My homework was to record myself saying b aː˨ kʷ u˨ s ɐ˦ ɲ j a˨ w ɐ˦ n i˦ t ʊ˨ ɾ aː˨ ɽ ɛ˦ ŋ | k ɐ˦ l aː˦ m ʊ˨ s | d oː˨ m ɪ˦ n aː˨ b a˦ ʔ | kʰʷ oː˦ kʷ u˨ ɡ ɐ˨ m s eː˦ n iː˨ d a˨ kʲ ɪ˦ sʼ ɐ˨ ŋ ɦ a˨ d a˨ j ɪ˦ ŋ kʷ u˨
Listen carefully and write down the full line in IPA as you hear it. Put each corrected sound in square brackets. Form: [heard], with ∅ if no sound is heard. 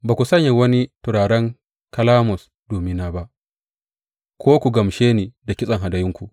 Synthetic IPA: b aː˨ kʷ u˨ s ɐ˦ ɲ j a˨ w ɐ˦ n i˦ t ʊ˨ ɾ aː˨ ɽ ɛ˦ ŋ | k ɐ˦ l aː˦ m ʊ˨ s | d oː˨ m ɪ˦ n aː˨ b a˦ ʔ | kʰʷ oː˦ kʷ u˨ ɡ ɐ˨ m [ʃ] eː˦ n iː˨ d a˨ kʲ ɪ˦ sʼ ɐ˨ ŋ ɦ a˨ d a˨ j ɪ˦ ŋ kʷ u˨